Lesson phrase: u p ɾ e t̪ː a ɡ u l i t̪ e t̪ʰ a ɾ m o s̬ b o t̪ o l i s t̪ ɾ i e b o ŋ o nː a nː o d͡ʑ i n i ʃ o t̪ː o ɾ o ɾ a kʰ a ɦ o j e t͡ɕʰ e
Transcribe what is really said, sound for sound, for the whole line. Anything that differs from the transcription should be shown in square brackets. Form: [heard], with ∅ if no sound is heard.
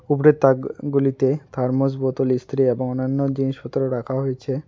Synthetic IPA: u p ɾ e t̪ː a ɡ u l i t̪ e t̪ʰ a ɾ m o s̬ b o t̪ o l i s t̪ ɾ i e b o ŋ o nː a nː o d͡ʑ i n i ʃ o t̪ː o ɾ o ɾ a kʰ a ɦ o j e t͡ɕʰ e

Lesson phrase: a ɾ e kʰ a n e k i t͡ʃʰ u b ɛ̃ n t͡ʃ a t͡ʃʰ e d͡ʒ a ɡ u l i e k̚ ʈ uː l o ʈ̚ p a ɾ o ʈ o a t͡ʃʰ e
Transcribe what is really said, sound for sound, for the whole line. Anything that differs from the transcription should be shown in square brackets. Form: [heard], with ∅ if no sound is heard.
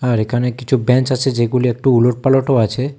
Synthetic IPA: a ɾ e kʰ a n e k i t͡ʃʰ u b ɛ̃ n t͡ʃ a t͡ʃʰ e d͡ʒ [e] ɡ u l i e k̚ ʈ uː l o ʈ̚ p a [l] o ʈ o a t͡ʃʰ e

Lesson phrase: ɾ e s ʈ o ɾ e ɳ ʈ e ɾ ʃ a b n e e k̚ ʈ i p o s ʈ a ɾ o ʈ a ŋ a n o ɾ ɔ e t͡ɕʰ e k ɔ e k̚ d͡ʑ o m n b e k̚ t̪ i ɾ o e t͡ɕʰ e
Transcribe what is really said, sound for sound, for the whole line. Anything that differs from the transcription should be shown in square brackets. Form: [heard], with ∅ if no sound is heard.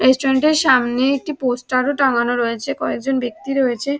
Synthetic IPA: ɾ e s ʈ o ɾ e ɳ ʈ e ɾ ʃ a [m] n e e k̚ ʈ i p o s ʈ a ɾ o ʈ a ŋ a n o ɾ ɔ e t͡ɕʰ e k ɔ e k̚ d͡ʑ o [∅] n b e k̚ t̪ i ɾ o e t͡ɕʰ e

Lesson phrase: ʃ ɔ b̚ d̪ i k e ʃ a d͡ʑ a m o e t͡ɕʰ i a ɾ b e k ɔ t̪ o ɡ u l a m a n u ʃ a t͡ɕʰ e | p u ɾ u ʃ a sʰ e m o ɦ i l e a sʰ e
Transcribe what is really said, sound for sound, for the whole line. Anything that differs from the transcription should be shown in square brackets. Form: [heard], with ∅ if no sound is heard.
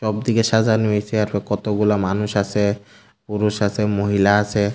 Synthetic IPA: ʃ ɔ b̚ d̪ i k e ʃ a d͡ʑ a [n] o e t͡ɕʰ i a ɾ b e k ɔ t̪ o ɡ u l a m a n u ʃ a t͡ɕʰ e | p u ɾ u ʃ a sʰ e m o ɦ i l [a] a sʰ e

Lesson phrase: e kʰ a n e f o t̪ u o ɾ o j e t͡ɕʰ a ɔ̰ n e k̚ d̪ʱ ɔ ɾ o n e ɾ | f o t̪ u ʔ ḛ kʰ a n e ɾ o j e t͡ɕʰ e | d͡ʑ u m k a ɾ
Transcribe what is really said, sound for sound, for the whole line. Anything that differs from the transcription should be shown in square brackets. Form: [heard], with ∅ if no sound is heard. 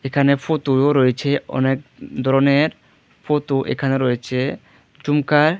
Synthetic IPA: e kʰ a n e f o t̪ u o ɾ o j e t͡ɕʰ [e] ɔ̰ n e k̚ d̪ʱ ɔ ɾ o n e ɾ | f o t̪ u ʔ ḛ kʰ a n e ɾ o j e t͡ɕʰ e | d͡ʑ u m k a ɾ

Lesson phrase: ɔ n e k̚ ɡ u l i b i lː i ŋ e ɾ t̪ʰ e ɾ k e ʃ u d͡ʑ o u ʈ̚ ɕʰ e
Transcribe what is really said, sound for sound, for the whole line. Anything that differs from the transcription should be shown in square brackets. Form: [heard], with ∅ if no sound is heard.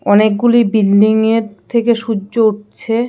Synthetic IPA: ɔ n e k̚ ɡ u l i b i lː i ŋ e ɾ t̪ʰ e [∅] k e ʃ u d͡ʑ o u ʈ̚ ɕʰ e

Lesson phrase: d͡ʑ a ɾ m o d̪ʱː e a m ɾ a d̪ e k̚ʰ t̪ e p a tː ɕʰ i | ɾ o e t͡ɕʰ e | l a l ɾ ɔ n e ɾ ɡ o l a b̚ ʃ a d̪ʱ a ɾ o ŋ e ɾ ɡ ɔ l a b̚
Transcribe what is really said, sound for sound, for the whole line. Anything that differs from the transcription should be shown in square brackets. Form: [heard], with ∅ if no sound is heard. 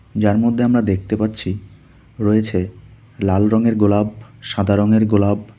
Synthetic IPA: d͡ʑ a ɾ m o d̪ʱː e a m ɾ a d̪ e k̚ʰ t̪ e p a tː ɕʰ i | ɾ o e t͡ɕʰ e | l a l ɾ ɔ [ŋ] e ɾ ɡ o l a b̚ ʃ a d̪ʱ a ɾ o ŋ e ɾ ɡ [o] l a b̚

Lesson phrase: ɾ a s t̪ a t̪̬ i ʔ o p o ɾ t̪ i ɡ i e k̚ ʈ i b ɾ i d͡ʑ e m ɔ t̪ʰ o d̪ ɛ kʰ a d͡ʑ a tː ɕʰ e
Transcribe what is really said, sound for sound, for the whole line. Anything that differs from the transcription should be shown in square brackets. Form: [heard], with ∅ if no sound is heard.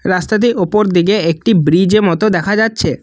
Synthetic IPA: ɾ a s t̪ a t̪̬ i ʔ o p o ɾ [d̪] i ɡ [e] e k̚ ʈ i b ɾ i d͡ʑ e m ɔ [t̪] o d̪ ɛ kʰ a d͡ʑ a tː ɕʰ e

